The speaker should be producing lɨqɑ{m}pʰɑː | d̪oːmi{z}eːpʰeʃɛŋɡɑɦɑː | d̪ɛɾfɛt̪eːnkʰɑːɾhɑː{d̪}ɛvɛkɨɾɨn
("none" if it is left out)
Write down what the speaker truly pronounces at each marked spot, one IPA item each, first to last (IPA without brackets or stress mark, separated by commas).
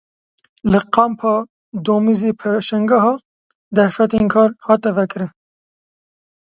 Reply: m, z, t̪